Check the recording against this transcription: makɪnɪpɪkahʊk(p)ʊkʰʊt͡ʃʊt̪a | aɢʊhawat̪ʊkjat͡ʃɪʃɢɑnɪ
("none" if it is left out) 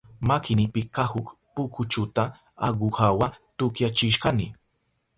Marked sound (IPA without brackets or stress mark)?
p